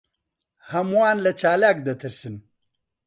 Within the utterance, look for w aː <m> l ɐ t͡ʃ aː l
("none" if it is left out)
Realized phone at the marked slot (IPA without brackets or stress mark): n